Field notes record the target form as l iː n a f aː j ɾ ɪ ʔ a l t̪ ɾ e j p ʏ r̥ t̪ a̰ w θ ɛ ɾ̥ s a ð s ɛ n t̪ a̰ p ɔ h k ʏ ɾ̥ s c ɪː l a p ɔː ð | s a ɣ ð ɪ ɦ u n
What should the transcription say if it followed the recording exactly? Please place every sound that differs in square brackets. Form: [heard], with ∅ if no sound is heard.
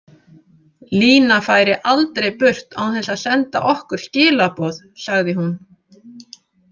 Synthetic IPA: l iː n a f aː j ɾ ɪ ʔ a l t̪ ɾ e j p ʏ r̥ t̪ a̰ w θ ɛ [∅] s a ð s ɛ n t̪ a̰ [ʔ] ɔ h k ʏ ɾ̥ s c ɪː l a p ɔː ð | s a ɣ ð ɪ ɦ u n